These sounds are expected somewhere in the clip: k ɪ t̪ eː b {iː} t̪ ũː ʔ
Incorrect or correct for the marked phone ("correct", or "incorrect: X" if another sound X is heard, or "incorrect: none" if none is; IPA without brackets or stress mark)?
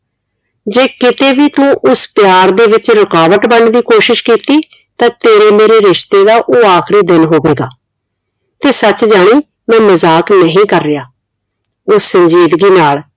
correct